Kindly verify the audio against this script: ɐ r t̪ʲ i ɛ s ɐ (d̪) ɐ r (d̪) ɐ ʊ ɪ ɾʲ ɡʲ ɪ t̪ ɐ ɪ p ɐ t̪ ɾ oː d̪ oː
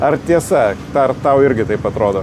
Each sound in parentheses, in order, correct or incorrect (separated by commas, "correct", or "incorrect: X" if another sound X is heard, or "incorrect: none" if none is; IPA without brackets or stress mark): incorrect: t̪, incorrect: t̪